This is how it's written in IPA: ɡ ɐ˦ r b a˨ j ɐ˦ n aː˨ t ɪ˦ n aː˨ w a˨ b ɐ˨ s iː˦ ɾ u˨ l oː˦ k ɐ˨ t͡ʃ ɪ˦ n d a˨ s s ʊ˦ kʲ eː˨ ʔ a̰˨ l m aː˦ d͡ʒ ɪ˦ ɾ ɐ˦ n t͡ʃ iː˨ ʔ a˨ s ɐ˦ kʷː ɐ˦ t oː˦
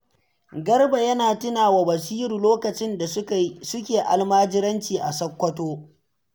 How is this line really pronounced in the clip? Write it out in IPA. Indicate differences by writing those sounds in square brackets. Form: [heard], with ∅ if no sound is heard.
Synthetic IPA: ɡ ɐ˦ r b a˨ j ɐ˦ n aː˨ t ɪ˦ n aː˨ w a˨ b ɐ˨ s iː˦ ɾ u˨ l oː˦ k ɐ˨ t͡ʃ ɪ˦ n d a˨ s s ʊ˦ kʲ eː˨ ʔ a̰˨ l m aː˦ d͡ʒ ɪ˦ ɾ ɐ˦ n t͡ʃ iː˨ ʔ a˨ s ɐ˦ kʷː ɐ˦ t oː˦